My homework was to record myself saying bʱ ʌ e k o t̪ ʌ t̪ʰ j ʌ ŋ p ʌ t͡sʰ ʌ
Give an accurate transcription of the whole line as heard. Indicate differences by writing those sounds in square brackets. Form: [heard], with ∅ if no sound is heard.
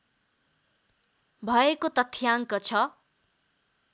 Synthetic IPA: bʱ ʌ e k o t̪ ʌ t̪ʰ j [a] ŋ [k] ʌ t͡sʰ ʌ